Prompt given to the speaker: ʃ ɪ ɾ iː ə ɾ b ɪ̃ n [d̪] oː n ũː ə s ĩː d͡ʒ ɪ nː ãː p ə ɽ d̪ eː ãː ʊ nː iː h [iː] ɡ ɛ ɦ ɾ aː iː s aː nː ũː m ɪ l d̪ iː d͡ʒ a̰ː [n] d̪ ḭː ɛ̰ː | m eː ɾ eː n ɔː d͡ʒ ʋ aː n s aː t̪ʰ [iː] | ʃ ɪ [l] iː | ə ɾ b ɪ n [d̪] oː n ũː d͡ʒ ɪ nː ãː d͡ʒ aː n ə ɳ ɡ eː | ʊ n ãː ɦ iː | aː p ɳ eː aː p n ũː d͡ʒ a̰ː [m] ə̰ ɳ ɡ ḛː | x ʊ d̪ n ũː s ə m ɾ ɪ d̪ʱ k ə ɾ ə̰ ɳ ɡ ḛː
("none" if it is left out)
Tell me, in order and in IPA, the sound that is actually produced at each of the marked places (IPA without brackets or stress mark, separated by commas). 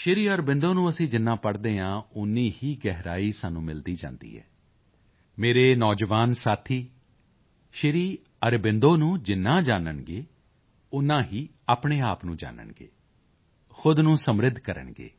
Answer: d̪, iː, n, iː, ɾ, d̪, n